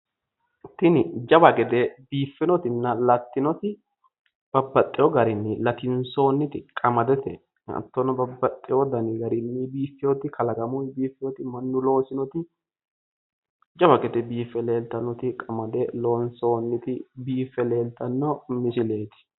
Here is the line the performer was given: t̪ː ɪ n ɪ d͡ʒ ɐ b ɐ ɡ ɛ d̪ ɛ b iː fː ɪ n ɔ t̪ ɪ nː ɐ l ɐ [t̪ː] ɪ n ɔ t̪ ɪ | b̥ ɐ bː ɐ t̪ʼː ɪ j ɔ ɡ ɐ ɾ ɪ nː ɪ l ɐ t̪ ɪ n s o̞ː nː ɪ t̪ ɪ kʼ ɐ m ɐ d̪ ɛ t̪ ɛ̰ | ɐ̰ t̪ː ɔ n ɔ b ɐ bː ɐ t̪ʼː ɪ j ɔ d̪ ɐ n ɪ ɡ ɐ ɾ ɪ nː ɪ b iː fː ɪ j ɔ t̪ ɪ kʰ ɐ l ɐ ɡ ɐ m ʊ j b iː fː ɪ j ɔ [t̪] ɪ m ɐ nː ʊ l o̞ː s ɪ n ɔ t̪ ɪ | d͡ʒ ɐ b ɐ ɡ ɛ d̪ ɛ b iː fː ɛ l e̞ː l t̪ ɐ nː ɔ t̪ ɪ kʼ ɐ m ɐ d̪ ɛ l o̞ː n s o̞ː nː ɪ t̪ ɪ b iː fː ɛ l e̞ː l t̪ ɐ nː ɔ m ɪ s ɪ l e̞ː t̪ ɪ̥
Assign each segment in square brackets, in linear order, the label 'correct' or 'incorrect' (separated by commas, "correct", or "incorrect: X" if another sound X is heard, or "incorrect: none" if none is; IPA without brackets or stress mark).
correct, correct